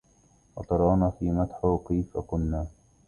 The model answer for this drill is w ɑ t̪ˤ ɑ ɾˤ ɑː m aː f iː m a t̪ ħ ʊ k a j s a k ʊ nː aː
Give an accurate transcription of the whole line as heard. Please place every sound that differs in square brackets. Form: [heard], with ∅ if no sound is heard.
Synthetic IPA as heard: w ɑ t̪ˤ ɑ ɾˤ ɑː [n] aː f iː m a t̪ ħ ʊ k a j [f] a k ʊ nː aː